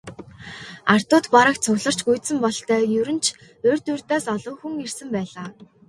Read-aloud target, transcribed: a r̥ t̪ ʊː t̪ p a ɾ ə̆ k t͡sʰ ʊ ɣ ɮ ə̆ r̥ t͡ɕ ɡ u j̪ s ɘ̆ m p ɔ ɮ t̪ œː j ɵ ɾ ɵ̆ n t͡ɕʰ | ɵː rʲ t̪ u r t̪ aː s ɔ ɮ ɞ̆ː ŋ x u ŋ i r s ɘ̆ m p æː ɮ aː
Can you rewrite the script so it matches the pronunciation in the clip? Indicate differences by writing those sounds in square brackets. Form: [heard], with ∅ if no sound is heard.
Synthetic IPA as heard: a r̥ t̪ ʊː t̪ p a ɾ ə̆ k t͡sʰ ʊ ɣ ɮ ə̆ r̥ t͡ɕ ɡ u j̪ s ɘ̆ m p ɔ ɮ t̪ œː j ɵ ɾ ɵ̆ n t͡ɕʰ | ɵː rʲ t̪ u r t̪ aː s ɔ ɮ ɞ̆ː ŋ x u ŋ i r s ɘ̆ m p æː ɮ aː

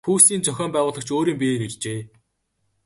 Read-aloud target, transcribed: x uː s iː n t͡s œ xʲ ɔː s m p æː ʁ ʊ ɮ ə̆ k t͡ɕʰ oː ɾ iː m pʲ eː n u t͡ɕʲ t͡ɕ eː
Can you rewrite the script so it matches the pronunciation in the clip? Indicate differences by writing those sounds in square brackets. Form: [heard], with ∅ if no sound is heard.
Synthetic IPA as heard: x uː s iː n t͡s œ xʲ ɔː [∅] m p æː ʁ [ʊː] ɮ ə̆ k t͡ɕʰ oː ɾ iː m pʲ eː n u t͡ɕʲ t͡ɕ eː

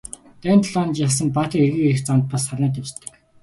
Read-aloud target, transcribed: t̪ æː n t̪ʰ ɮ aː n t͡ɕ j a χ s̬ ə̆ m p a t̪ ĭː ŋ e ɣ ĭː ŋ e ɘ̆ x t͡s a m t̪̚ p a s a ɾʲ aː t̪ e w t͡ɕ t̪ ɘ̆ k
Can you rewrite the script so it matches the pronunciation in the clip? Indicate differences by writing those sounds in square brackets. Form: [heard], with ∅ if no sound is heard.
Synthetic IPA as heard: t̪ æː n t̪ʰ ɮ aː n t͡ɕ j a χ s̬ ə̆ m p a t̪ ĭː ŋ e ɣ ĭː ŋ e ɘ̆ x t͡s a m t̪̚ p a s a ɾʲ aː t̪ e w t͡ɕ t̪ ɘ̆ k

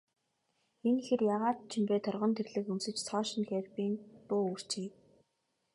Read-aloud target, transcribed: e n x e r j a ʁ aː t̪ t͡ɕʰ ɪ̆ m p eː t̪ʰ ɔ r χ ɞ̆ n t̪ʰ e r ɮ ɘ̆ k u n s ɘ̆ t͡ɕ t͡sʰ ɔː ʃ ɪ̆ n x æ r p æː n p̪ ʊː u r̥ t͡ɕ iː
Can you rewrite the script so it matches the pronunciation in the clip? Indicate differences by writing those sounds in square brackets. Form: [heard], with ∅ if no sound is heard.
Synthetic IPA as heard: e n x e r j a ʁ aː t̪ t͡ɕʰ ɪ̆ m p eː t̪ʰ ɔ r [ʁ] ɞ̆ n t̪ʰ e r ɮ ɘ̆ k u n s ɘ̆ t͡ɕ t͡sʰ ɔː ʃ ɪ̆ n x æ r p [iː] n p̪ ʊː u r̥ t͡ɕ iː

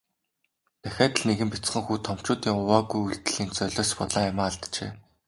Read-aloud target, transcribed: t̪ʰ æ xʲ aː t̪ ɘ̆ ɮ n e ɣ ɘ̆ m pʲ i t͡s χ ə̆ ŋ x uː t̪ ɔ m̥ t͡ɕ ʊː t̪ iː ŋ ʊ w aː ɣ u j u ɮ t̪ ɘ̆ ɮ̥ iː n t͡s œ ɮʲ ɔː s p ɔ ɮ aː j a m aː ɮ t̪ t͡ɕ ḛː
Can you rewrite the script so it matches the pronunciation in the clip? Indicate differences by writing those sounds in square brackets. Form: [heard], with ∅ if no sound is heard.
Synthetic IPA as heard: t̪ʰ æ xʲ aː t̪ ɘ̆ ɮ n e ɣ ɘ̆ m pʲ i t͡s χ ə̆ ŋ x uː [t̪ʰ] ɔ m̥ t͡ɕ ʊː t̪ iː ŋ ʊ w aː ɣ u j u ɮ t̪ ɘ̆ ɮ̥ iː n t͡s œ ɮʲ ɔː s p ɔ ɮ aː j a m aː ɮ t̪ t͡ɕ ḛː

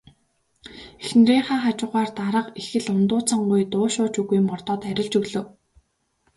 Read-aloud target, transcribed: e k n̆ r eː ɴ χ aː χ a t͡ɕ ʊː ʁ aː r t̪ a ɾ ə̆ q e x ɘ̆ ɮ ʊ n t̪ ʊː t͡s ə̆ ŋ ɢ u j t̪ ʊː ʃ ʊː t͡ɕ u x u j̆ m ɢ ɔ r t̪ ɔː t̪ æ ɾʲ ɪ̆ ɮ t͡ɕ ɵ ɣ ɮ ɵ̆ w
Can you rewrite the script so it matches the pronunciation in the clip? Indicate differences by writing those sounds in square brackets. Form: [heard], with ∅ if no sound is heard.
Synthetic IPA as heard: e [x] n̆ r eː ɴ χ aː χ a t͡ɕ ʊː ʁ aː r t̪ a ɾ ə̆ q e x ɘ̆ ɮ ʊ n t̪ ʊː t͡s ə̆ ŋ ɢ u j t̪ ʊː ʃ ʊː t͡ɕ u [ɣ] u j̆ m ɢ ɔ r t̪ ɔː t̪ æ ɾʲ ɪ̆ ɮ t͡ɕ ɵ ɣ ɮ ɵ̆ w

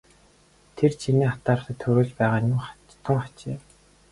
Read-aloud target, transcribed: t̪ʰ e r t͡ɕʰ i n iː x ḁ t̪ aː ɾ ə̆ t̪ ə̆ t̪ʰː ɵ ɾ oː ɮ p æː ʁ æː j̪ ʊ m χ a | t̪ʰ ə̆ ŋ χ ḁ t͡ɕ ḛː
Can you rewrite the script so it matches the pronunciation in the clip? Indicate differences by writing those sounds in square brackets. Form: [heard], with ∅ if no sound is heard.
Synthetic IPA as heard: t̪ʰ e r t͡ɕʰ i n iː [χ] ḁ t̪ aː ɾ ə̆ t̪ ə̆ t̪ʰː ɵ ɾ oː ɮ p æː ʁ [aː] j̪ ʊ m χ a | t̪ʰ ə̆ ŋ χ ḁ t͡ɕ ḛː

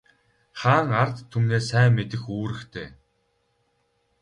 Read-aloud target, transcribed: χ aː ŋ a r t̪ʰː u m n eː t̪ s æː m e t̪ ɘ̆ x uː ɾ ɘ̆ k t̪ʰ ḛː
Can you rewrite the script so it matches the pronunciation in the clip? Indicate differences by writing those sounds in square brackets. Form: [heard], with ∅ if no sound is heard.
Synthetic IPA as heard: χ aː ŋ a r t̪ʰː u m n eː [∅] s æː m e t̪ ɘ̆ x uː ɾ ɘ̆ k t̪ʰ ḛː

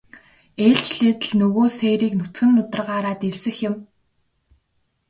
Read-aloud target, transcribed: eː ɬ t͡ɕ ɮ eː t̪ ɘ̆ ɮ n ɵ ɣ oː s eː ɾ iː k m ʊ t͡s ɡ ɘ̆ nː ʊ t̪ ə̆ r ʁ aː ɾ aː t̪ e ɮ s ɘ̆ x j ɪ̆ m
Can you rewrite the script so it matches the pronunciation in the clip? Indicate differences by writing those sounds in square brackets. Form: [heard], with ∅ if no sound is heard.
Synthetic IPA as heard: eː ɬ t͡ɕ ɮ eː t̪ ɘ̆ ɮ n ɵ ɣ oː s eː ɾ iː k [n] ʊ t͡s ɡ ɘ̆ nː ʊ t̪ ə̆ r ʁ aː ɾ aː t̪ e ɮ s ɘ̆ x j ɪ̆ m

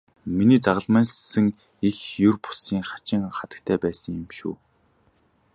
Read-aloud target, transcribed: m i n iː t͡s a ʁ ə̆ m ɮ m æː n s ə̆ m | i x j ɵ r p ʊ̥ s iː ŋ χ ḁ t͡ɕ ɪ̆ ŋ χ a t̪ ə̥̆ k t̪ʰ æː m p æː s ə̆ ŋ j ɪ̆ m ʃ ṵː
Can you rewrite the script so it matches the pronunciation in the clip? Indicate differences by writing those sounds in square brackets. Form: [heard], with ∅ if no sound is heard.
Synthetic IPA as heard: m i n iː t͡s a ʁ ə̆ [∅] ɮ m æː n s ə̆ [ŋ] | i x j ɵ r p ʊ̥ s iː ŋ χ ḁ t͡ɕ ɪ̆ ŋ χ a t̪ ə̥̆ k t̪ʰ æː [∅] p æː s ə̆ ŋ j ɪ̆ m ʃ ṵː

